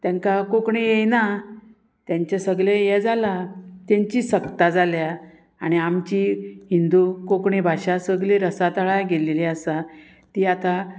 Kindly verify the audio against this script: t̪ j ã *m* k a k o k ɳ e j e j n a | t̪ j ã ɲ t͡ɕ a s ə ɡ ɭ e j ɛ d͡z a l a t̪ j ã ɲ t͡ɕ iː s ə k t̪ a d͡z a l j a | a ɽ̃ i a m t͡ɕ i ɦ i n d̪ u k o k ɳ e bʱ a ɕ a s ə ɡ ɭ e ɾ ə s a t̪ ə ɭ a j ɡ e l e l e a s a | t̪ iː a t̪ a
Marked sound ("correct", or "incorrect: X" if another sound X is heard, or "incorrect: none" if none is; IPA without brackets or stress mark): incorrect: ŋ